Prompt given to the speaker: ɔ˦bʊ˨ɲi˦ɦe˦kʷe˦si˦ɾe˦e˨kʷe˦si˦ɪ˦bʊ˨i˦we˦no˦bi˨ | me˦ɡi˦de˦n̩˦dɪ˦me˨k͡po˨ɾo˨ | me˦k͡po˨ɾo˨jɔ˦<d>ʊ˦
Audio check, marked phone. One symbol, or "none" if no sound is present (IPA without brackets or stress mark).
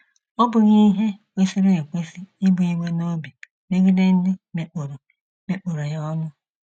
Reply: n